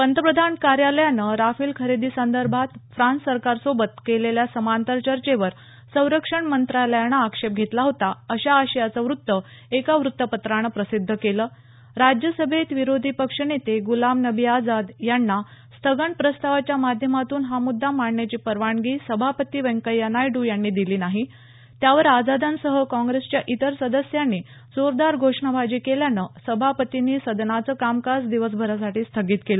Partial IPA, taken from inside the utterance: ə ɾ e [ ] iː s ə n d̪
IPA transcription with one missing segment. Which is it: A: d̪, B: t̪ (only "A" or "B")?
A